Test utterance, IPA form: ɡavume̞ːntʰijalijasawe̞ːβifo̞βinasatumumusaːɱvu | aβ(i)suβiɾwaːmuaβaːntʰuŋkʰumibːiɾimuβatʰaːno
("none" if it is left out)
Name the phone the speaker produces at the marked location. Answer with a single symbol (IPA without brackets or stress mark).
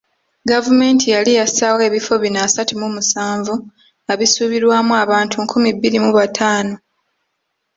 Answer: i